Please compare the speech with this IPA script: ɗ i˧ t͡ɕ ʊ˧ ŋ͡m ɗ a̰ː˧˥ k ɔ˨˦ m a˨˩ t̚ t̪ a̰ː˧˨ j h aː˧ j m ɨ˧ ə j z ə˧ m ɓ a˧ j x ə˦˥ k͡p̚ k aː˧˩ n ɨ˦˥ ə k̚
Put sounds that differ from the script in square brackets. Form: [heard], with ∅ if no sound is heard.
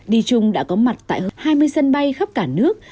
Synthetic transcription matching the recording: ɗ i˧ t͡ɕ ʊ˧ ŋ͡m ɗ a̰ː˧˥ k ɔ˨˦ m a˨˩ t̚ t̪ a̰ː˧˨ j h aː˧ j m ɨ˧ ə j [s] ə˧ [n] ɓ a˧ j x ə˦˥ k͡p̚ k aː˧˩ n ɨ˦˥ ə k̚